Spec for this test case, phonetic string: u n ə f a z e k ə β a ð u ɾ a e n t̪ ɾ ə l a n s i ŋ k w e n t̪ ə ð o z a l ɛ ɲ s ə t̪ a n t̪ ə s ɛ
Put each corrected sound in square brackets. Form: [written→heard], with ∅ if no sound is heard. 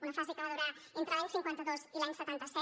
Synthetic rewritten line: u n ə f a z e k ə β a ð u ɾ a e n t̪ ɾ ə l a [n→ɲ] s i ŋ k w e n t̪ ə ð o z [a→i] l [ɛ→a] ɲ s ə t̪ a n t̪ ə s ɛ